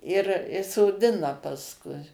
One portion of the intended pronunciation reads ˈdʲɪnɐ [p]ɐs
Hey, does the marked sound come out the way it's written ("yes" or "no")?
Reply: yes